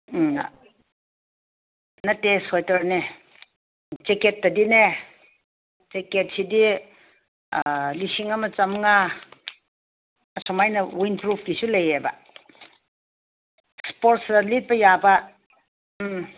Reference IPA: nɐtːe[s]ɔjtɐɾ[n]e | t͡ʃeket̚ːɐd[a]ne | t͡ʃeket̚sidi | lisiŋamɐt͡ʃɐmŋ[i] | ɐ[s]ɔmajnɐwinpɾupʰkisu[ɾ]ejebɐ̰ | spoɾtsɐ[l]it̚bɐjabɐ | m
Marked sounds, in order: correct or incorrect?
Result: correct, correct, incorrect, incorrect, correct, incorrect, correct

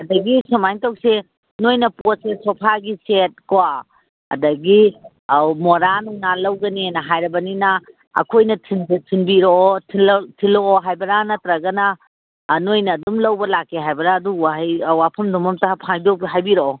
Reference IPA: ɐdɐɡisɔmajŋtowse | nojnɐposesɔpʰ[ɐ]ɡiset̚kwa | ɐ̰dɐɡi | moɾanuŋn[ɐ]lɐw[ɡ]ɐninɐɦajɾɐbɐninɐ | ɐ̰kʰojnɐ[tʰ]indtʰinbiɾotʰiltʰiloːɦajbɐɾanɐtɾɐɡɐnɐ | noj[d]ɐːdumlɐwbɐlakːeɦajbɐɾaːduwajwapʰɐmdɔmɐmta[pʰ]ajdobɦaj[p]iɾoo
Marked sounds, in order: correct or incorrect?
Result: incorrect, incorrect, correct, correct, incorrect, correct, incorrect

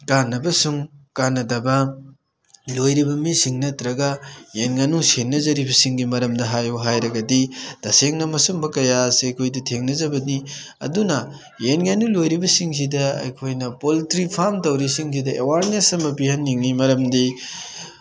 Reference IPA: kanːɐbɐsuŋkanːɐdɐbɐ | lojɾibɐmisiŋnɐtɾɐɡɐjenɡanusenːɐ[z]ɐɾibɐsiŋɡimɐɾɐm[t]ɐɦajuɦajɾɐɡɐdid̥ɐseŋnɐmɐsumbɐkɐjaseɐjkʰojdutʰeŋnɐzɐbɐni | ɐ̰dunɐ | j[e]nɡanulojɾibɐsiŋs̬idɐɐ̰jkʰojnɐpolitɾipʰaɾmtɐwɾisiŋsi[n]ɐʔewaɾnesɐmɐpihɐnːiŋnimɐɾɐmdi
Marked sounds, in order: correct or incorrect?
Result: correct, incorrect, correct, incorrect

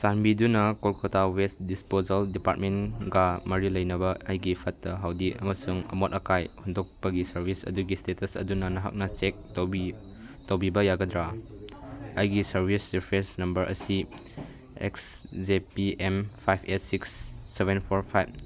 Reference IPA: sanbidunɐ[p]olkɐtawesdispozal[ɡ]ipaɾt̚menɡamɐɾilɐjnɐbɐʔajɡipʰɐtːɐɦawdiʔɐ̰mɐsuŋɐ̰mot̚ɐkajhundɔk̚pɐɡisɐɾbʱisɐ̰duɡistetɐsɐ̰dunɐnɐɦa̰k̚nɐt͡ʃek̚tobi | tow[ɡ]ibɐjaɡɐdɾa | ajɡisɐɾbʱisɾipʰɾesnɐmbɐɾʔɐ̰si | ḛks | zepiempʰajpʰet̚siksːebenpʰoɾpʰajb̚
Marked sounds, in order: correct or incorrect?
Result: incorrect, incorrect, incorrect

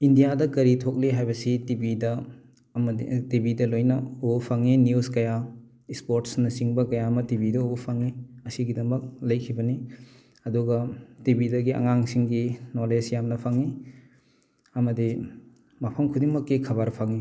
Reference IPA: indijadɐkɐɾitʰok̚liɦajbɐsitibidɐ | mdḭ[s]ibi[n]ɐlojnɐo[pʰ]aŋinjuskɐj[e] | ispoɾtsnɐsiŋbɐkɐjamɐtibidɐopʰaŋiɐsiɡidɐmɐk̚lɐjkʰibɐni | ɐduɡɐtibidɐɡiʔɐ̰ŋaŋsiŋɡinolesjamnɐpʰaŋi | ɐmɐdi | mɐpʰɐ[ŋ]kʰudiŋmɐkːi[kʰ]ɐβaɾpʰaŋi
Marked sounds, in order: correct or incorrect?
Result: incorrect, incorrect, correct, incorrect, incorrect, correct

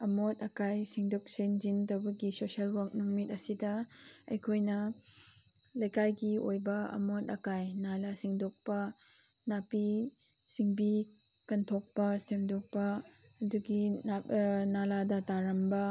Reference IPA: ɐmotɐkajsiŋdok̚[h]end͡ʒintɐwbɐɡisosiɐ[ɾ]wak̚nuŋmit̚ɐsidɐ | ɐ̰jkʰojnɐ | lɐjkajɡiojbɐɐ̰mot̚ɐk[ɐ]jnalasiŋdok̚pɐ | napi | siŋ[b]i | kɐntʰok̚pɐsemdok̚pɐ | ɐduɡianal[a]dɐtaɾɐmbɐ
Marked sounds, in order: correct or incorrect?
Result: incorrect, incorrect, incorrect, correct, correct

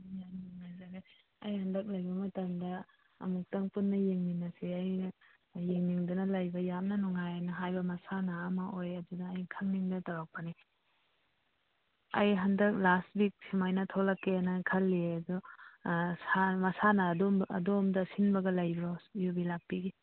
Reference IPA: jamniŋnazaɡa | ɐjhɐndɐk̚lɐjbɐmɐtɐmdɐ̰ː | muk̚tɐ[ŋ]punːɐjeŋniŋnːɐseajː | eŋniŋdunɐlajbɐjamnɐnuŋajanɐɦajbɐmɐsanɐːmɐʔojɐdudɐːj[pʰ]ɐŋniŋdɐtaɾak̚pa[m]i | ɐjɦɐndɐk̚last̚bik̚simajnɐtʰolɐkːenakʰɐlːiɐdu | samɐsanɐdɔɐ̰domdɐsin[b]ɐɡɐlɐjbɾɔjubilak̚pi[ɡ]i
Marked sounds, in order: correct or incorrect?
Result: correct, incorrect, incorrect, correct, correct

